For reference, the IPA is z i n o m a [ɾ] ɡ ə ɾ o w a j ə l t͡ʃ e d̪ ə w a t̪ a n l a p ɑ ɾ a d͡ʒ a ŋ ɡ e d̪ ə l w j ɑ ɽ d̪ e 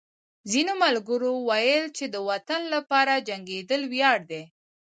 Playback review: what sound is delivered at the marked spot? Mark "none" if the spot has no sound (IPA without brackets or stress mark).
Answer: l